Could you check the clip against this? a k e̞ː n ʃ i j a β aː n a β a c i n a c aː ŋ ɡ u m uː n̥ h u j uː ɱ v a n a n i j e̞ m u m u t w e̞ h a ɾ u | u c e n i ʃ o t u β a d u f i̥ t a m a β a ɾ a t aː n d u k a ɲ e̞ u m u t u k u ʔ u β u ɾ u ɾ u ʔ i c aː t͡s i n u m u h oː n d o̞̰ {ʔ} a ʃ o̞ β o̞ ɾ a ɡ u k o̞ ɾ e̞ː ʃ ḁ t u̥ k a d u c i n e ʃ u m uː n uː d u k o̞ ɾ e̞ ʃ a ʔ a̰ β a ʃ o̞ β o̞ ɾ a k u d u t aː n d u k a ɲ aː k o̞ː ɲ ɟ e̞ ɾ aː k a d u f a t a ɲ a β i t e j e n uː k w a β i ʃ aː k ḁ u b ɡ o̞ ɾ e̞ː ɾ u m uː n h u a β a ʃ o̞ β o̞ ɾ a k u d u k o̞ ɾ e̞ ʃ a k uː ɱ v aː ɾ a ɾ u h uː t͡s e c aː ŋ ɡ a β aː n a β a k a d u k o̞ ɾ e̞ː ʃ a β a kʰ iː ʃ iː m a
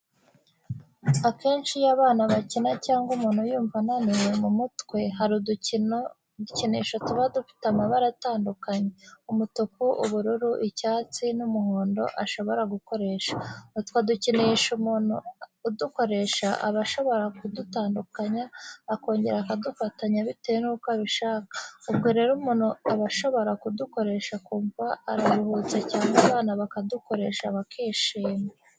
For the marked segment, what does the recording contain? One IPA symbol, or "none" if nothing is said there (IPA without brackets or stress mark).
ʔ